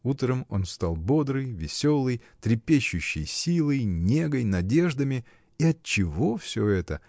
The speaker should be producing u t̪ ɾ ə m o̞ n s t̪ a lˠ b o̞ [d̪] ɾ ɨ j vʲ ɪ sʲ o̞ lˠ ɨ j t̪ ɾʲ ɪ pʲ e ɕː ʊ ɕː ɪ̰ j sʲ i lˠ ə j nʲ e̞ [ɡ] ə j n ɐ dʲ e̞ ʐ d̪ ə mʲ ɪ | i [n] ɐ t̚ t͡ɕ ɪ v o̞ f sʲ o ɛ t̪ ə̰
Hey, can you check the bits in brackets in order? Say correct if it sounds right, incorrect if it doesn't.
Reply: correct, correct, incorrect: none

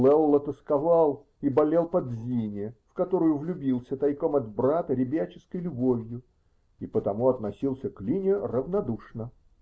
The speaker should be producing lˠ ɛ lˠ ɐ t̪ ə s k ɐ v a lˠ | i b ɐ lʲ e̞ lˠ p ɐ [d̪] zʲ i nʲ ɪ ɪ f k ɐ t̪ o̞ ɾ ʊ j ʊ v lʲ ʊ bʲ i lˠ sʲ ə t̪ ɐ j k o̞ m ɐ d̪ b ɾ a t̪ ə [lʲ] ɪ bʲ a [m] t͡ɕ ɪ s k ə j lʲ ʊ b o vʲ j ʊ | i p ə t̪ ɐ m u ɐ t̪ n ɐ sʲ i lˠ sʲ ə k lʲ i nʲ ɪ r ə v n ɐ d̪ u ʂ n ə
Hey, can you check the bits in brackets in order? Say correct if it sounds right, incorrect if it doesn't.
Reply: correct, incorrect: ɾʲ, incorrect: none

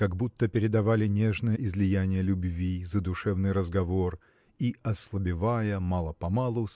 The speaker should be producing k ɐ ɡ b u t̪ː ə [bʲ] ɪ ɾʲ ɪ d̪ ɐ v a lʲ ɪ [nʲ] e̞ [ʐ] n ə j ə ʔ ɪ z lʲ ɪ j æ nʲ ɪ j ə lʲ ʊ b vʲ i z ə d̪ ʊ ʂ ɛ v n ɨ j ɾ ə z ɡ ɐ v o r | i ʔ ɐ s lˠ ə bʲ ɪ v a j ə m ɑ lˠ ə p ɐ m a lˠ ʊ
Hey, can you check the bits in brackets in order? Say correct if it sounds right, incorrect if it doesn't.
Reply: incorrect: pʲ, correct, correct

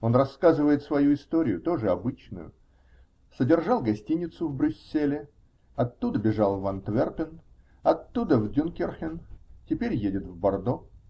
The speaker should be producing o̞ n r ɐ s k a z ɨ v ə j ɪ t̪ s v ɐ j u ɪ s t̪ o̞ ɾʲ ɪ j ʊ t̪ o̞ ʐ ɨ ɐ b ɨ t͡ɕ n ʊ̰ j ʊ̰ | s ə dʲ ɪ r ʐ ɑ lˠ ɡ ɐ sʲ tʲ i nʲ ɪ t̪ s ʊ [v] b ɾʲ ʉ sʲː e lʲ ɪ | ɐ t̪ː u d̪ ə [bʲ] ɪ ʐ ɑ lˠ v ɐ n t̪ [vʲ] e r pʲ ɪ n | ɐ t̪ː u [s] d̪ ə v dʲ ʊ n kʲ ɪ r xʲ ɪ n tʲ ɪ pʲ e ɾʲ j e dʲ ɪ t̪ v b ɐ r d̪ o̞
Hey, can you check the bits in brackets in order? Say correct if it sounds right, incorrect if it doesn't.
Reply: correct, correct, correct, incorrect: none

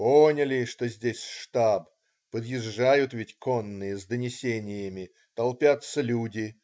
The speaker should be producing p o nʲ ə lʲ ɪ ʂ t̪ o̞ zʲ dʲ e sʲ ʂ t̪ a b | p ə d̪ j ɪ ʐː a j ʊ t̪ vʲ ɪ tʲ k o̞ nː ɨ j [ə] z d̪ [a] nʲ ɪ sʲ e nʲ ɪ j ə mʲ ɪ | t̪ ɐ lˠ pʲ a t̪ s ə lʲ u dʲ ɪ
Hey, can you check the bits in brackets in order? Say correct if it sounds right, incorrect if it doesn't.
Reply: correct, incorrect: ə

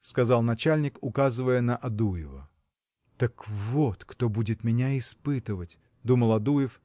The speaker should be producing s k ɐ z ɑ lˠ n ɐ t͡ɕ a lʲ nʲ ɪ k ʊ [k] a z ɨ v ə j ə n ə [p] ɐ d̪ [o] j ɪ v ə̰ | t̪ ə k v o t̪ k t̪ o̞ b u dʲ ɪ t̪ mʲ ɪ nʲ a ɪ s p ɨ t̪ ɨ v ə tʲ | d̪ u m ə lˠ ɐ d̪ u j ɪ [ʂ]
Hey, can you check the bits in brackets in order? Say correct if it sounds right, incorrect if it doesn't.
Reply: correct, incorrect: ʔ, incorrect: u, incorrect: f

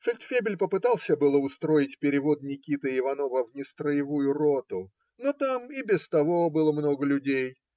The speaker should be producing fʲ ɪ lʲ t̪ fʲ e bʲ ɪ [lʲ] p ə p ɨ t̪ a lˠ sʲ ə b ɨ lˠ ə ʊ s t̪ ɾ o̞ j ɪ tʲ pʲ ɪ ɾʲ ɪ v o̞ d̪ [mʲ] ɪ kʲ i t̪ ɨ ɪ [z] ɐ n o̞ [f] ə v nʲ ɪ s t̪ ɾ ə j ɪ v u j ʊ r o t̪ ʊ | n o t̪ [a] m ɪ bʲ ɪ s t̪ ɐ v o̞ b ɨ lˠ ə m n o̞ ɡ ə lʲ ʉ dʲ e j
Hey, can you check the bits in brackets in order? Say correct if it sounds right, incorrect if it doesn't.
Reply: correct, incorrect: nʲ, incorrect: v, incorrect: v, correct

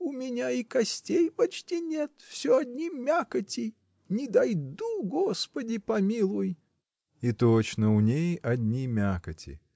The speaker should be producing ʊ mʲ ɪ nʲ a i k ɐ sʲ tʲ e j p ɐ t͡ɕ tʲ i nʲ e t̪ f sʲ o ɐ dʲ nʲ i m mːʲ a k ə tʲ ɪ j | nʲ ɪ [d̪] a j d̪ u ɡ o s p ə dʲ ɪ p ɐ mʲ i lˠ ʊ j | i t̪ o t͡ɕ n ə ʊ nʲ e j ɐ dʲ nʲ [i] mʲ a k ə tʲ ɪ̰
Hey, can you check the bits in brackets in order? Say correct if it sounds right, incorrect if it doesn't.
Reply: correct, correct

